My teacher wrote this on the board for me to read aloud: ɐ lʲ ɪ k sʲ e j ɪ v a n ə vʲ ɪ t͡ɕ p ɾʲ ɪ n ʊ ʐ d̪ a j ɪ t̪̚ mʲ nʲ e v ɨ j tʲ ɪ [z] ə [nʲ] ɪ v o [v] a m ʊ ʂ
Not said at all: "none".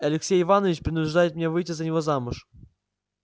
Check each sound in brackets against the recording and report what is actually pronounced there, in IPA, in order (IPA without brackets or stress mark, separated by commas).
z, nʲ, z